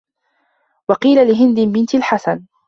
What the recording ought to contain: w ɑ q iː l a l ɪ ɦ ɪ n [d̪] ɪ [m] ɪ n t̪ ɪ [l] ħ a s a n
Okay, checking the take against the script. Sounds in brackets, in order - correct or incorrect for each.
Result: correct, incorrect: b, correct

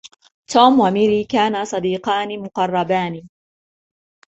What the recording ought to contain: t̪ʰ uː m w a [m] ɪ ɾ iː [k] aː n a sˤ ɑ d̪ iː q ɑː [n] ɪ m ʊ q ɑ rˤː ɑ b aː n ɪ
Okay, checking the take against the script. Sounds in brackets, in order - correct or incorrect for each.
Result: correct, correct, correct

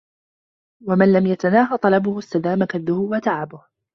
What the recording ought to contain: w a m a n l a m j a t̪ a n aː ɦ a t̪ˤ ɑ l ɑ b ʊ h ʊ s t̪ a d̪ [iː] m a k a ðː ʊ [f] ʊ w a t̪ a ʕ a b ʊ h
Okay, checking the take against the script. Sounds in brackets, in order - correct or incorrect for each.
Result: incorrect: aː, incorrect: h

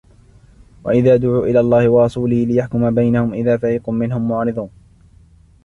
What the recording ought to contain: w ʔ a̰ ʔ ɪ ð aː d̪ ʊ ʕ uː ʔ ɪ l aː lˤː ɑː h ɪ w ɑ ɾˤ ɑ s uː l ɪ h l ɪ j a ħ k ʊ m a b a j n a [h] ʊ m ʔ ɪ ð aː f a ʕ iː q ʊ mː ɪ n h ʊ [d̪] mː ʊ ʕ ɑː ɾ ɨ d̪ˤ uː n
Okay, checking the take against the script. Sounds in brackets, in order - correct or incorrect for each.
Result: correct, incorrect: none

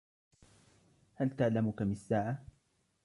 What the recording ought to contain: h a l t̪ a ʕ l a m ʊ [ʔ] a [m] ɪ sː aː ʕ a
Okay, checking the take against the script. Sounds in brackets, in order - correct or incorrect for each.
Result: incorrect: k, correct

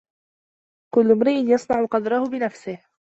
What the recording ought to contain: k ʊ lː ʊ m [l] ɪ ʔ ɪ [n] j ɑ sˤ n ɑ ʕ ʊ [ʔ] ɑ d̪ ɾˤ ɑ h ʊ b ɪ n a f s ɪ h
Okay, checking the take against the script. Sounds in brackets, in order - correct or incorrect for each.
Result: incorrect: ɾ, correct, incorrect: q

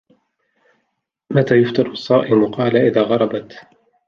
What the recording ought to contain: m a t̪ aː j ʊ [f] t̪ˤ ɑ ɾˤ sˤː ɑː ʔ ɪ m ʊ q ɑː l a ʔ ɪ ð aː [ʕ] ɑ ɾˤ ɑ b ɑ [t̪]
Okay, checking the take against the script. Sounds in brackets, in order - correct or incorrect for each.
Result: correct, incorrect: ɣ, correct

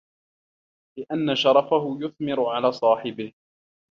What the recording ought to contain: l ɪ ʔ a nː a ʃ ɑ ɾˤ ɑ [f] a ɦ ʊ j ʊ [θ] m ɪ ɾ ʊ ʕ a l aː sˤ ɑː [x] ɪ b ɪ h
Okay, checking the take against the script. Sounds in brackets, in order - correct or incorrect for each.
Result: correct, correct, incorrect: ħ

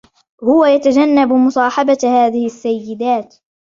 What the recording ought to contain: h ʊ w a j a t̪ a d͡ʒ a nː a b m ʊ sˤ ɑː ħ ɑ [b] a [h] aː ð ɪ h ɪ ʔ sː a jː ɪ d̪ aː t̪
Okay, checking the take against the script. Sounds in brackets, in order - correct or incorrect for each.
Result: correct, correct

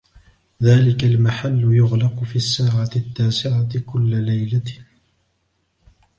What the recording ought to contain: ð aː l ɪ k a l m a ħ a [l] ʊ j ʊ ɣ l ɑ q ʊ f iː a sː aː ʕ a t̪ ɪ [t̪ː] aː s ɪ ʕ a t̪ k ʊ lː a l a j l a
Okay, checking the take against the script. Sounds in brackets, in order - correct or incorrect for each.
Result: incorrect: lː, correct

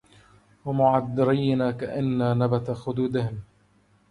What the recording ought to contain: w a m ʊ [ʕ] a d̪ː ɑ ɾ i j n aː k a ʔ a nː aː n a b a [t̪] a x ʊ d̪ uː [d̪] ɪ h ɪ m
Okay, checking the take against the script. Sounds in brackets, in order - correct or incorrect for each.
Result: correct, correct, correct

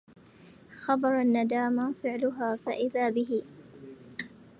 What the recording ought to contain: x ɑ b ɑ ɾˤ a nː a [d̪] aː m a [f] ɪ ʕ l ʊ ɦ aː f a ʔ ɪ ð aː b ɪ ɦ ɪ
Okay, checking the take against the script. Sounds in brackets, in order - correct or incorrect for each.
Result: correct, correct

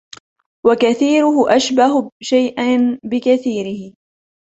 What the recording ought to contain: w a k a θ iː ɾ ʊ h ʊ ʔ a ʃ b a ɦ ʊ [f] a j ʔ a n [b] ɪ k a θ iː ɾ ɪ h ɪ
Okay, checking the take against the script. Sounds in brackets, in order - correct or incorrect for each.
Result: incorrect: ʃ, correct

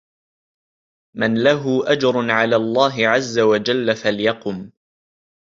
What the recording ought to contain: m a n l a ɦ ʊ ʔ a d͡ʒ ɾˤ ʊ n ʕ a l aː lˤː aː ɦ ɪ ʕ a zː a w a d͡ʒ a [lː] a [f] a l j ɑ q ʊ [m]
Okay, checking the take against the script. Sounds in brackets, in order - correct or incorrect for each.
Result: correct, correct, correct

